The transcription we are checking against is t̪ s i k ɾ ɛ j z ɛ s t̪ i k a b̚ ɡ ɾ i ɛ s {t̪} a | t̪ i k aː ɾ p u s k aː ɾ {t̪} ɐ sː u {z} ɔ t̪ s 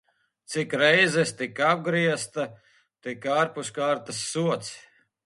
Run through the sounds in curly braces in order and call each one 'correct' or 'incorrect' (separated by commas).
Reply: correct, correct, incorrect